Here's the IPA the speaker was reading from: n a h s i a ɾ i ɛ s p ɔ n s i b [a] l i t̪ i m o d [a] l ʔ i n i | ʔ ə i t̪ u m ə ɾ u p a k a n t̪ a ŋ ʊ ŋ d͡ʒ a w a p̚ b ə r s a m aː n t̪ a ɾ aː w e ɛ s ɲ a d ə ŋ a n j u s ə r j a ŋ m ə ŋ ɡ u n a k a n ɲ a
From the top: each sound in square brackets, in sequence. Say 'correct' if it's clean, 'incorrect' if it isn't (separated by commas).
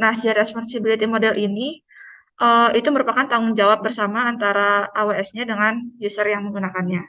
incorrect, incorrect